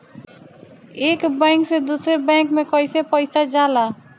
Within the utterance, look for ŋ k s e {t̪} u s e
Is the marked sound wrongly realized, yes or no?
yes